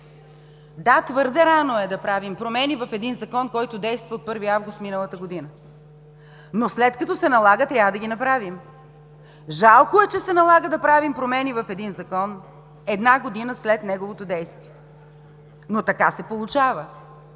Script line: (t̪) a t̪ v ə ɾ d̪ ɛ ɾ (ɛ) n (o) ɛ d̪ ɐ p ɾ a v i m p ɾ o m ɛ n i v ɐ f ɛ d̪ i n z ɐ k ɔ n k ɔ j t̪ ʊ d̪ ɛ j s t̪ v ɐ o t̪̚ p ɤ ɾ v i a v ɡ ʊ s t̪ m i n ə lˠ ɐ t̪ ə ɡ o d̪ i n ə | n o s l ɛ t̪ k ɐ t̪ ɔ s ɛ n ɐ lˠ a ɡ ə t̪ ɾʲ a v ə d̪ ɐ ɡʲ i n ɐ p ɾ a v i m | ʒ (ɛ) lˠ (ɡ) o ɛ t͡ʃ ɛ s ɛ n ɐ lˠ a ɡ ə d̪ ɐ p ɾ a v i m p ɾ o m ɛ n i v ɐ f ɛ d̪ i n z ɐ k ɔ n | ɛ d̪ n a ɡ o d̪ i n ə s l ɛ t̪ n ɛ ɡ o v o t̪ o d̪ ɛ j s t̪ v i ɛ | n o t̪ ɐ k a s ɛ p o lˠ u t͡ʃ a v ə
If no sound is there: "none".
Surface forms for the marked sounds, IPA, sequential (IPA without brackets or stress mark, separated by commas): d̪, a, o, a, k